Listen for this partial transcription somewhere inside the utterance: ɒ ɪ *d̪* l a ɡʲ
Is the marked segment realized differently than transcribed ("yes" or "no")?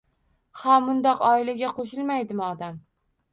yes